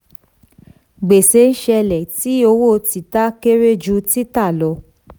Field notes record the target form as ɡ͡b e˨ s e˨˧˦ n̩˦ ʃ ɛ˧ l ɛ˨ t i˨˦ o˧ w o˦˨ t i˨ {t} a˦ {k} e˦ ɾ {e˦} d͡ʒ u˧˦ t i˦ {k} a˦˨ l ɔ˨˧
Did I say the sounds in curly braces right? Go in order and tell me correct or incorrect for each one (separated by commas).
correct, correct, correct, incorrect